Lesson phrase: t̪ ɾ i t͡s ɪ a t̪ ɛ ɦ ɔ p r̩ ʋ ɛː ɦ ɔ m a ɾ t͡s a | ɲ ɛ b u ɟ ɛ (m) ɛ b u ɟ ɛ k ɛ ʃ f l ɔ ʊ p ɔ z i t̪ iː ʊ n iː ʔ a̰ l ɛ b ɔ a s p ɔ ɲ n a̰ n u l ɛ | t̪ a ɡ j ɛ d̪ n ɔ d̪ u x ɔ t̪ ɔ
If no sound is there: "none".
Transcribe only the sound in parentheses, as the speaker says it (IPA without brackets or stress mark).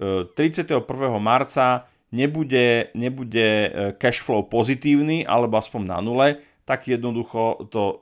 ɲ